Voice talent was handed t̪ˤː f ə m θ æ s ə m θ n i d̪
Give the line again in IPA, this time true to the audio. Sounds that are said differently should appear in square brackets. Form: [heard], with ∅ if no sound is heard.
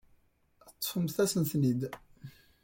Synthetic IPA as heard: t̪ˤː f ə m θ æ s ə [n] θ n i d̪